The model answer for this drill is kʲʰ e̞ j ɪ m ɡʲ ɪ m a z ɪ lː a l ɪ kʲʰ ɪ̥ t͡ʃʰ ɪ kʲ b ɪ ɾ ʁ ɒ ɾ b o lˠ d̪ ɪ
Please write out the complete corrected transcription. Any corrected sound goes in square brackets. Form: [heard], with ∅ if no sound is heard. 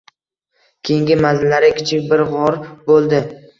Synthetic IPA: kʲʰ e̞ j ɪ [ŋ] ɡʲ ɪ m a z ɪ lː a [ɾ] ɪ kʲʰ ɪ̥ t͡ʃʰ ɪ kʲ b ɪ ɾ ʁ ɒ ɾ b o lˠ d̪ ɪ